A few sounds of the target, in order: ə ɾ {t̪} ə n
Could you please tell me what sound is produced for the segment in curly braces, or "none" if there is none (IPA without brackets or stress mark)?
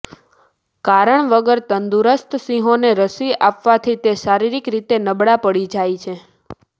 t̪